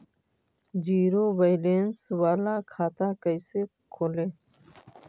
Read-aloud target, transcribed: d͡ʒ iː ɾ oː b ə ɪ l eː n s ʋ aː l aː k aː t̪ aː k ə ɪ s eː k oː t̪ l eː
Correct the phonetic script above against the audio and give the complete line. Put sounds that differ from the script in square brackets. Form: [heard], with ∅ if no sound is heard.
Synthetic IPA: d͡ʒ iː ɾ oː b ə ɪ l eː n s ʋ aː l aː [kʰ] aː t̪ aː k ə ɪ s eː [kʰ] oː [∅] l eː